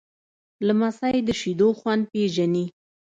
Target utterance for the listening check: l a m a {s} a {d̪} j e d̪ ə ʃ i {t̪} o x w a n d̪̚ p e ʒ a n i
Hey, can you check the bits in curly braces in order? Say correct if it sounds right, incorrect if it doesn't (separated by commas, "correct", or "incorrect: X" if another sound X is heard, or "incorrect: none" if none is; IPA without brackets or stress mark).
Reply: correct, incorrect: none, incorrect: d̪